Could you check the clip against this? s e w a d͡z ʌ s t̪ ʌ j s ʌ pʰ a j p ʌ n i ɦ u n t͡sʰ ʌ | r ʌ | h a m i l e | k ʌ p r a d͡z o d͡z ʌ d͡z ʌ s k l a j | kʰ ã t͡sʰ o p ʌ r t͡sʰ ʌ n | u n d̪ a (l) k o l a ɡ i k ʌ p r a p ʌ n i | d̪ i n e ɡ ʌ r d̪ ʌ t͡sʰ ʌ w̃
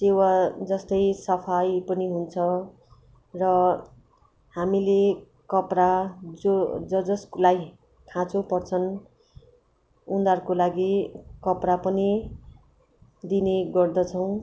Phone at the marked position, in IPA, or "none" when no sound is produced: r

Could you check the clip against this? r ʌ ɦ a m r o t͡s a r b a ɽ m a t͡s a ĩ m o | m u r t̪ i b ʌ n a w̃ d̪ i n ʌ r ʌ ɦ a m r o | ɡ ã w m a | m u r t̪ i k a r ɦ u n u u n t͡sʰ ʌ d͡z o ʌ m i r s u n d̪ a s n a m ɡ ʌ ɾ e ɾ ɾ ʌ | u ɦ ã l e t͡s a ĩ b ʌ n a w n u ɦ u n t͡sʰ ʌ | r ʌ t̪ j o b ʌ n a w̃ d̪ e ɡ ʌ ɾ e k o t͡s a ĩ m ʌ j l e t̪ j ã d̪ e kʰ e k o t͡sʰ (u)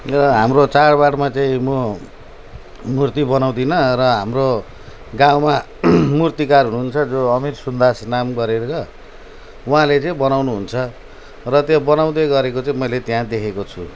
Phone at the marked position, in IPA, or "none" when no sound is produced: u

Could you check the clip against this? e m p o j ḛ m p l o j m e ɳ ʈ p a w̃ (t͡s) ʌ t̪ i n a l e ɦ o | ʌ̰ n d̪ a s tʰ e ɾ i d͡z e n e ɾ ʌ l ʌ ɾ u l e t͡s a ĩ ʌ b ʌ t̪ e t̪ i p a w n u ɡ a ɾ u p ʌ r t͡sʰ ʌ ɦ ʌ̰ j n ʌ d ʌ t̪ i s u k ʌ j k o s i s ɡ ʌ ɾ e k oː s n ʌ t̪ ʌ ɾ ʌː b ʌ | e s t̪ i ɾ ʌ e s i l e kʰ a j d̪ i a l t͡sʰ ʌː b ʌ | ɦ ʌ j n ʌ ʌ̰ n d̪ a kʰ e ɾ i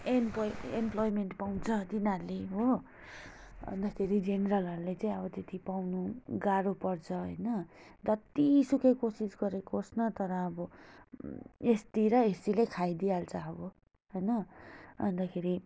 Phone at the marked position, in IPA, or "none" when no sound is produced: t͡sʰ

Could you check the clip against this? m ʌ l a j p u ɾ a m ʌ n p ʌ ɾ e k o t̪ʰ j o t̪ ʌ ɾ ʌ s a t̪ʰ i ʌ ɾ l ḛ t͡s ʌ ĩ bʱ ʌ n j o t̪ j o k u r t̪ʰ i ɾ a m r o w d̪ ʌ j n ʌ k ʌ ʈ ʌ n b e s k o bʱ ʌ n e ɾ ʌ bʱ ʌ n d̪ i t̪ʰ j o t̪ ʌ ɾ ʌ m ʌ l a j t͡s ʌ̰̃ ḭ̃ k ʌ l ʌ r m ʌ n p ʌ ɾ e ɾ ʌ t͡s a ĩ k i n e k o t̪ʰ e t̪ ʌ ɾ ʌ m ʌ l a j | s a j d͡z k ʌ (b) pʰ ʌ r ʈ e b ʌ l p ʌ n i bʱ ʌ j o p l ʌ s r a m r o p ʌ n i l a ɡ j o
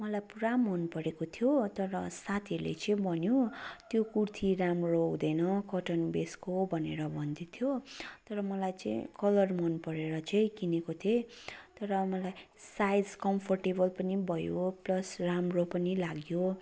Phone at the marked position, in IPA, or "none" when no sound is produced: m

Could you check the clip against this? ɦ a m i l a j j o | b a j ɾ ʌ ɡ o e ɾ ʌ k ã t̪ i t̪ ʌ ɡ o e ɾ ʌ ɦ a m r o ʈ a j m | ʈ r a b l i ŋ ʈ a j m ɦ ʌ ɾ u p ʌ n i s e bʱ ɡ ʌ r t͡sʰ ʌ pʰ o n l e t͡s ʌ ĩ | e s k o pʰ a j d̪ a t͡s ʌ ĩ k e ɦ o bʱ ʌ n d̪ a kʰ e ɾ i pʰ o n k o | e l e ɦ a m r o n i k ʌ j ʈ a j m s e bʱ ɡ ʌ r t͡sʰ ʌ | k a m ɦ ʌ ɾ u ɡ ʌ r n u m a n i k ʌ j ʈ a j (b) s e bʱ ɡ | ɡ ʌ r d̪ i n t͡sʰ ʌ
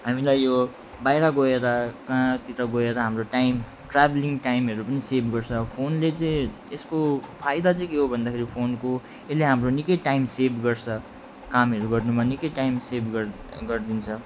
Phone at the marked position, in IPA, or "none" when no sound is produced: m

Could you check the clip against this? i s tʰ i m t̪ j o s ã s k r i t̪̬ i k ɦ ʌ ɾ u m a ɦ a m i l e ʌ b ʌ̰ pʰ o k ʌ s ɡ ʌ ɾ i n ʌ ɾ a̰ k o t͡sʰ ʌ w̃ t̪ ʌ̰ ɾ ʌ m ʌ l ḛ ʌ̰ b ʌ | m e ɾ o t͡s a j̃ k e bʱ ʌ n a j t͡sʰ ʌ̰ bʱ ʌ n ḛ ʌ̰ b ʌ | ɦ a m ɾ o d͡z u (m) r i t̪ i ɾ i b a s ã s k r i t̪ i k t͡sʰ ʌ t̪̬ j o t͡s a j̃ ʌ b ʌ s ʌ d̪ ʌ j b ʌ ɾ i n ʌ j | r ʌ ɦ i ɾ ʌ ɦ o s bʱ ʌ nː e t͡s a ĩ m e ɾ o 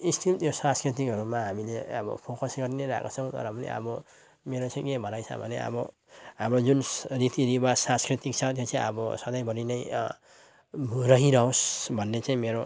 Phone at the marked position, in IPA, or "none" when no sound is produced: n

